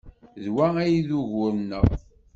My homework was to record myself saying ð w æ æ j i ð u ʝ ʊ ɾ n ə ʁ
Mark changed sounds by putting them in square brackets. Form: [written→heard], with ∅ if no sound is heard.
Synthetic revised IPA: ð w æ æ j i ð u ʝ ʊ ɾ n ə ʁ